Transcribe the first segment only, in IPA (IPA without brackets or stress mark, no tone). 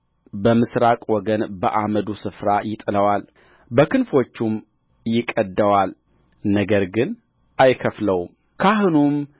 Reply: b